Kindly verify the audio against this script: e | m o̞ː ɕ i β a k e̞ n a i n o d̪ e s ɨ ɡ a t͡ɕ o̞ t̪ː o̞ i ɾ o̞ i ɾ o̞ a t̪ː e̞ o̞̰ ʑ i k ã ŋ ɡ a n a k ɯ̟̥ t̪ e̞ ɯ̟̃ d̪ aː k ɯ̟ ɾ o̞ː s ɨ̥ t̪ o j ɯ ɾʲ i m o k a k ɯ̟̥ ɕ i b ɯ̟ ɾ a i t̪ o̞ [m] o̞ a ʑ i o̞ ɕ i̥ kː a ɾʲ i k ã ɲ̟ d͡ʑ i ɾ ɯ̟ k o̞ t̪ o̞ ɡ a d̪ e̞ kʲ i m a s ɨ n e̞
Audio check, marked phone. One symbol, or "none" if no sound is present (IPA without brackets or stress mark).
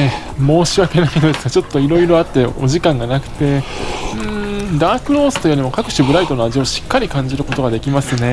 n